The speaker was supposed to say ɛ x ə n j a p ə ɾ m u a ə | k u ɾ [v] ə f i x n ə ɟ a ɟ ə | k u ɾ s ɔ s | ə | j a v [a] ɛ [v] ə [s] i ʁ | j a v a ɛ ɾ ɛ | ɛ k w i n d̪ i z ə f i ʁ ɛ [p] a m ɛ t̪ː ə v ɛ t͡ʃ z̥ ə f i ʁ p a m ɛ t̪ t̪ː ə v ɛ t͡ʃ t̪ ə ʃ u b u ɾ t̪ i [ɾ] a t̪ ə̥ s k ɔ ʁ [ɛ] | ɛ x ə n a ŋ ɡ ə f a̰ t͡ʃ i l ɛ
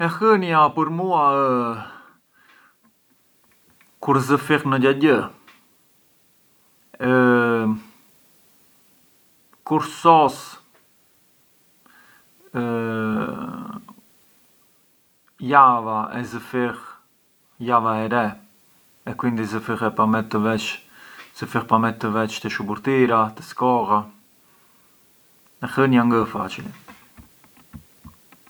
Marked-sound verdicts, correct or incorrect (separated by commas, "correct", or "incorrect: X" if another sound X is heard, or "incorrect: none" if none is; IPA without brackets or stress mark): incorrect: z, correct, incorrect: z, incorrect: f, correct, correct, incorrect: a